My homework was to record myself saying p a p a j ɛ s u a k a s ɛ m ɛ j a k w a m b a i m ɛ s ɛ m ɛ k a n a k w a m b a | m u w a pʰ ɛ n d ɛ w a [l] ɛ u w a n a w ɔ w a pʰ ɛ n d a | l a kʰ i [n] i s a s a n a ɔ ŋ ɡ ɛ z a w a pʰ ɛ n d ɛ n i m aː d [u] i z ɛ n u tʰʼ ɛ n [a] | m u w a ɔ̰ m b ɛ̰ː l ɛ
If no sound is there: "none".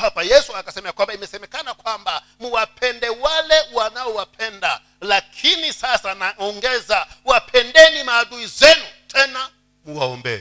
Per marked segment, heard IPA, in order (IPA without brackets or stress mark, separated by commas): l, n, u, a